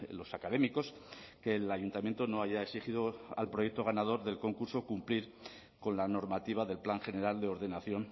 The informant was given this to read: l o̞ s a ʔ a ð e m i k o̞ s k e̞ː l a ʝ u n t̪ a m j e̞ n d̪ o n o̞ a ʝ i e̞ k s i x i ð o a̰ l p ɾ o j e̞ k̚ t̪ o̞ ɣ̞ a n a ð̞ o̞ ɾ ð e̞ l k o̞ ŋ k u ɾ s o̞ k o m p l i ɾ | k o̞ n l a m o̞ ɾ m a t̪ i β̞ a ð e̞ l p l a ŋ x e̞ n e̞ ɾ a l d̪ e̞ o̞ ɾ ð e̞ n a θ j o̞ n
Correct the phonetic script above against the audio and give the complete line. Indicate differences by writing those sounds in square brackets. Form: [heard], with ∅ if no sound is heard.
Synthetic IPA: l o̞ s a [k] a ð e m i k o̞ s k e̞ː l a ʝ u n t̪ a m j e̞ n [t̪] o n o̞ a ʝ [a] e̞ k s i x i ð o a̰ l p ɾ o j e̞ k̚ t̪ o̞ ɣ̞ a n a ð̞ o̞ ɾ ð e̞ l k o̞ ŋ k u ɾ s o̞ k [u] m p l i ɾ | k o̞ n l a [n] o̞ ɾ m a t̪ i β̞ a ð e̞ l p l a ŋ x e̞ n e̞ ɾ a l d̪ e̞ o̞ ɾ ð e̞ n a θ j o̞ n